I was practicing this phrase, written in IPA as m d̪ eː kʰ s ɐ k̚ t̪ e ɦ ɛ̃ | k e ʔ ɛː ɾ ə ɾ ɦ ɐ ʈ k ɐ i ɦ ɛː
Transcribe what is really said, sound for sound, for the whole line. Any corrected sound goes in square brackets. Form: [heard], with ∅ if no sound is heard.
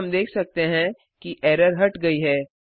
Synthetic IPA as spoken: m d̪ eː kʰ s ɐ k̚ t̪ e ɦ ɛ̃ | k [i] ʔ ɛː ɾ ə ɾ ɦ ɐ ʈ [ɡ] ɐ i ɦ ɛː